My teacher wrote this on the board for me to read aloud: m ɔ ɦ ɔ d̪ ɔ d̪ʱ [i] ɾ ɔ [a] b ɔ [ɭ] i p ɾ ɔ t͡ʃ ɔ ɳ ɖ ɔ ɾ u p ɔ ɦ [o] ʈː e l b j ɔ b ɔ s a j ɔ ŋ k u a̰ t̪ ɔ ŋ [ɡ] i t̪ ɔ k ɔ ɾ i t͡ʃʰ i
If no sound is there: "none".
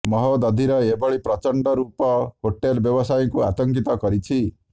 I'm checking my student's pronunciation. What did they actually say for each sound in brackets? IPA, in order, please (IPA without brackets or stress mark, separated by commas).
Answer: i, e, ɭ, o, k